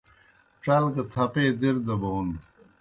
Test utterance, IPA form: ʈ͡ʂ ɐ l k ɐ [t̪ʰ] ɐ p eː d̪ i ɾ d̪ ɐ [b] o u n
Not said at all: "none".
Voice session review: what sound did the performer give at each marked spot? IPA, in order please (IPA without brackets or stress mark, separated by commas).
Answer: t̪ʰ, b